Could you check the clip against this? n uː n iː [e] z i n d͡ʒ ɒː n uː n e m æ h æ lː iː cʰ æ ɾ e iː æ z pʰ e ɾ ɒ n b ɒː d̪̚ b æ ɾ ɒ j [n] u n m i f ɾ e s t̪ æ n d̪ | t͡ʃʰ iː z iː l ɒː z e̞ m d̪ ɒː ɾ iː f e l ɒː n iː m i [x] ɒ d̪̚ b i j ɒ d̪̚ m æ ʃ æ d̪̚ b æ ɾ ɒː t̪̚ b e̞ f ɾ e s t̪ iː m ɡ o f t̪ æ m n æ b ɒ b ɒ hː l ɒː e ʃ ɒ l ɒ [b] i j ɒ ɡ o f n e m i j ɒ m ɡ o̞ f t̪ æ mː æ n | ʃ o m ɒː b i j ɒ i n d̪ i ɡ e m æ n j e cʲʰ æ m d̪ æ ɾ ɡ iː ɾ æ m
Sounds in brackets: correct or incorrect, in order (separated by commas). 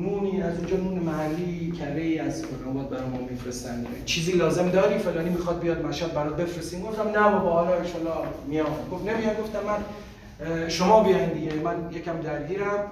incorrect, incorrect, correct, incorrect